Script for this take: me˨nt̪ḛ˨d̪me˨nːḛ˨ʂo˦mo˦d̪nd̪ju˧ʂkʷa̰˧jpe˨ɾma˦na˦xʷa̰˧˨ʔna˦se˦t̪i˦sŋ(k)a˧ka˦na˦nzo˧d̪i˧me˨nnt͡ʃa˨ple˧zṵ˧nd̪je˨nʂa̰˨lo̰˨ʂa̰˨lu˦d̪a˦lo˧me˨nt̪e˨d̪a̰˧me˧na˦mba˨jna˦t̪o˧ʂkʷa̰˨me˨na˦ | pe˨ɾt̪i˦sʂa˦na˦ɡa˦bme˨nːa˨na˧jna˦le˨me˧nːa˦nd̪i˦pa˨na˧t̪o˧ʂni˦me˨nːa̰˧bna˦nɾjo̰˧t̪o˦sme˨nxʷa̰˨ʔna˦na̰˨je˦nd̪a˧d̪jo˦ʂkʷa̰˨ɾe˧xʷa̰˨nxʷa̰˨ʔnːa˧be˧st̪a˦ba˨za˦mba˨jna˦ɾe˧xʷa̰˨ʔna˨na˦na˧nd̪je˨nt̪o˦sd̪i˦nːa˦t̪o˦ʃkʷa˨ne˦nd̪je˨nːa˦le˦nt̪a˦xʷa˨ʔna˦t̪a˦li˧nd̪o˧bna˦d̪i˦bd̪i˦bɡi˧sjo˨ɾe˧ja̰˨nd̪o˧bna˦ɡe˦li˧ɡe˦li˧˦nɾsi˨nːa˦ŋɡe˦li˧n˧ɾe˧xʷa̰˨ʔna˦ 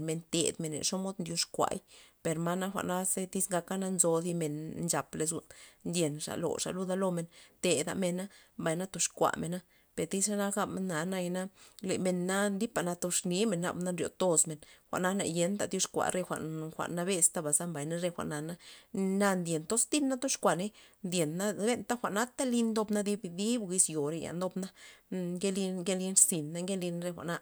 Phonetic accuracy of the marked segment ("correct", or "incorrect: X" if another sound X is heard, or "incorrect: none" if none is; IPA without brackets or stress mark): incorrect: ɡ